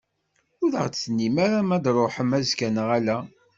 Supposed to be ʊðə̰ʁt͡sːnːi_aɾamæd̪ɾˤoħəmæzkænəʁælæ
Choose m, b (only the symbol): m